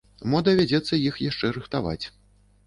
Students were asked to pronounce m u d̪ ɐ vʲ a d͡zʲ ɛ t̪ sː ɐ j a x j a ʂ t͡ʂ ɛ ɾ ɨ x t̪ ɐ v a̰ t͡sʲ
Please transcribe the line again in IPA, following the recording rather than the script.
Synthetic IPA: m ɔ d̪ ɐ vʲ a d͡zʲ ɛ t̪ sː ɐ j i x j a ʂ t͡ʂ ɛ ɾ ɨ x t̪ a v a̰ t͡sʲ

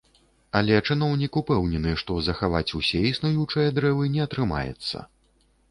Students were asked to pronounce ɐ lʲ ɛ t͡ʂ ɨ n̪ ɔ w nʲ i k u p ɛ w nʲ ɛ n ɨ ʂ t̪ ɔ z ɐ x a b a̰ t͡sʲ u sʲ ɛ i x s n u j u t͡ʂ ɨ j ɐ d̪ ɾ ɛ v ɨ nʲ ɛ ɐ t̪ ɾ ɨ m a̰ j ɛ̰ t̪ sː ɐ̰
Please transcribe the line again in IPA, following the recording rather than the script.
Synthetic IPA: ɐ lʲ ɛ t͡ʂ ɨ n̪ ɔ w nʲ i k u p ɛ w nʲ ɛ n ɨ ʂ t̪ ɔ z ɐ x a v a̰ t͡sʲ u sʲ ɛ i s n u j u t͡ʂ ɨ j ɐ d̪ ɾ ɛ v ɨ nʲ ɛ ɐ t̪ ɾ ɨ m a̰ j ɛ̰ t̪ sː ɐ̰

